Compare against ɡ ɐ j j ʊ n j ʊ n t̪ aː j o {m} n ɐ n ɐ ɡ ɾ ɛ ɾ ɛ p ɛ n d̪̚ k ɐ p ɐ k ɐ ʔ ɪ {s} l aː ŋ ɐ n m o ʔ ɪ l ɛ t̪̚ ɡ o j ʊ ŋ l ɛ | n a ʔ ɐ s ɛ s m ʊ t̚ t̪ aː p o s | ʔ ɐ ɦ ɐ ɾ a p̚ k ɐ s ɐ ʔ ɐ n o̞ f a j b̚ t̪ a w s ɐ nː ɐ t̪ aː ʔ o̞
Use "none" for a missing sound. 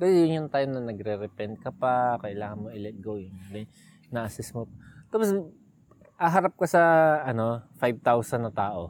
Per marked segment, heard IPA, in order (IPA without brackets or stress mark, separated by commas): m, none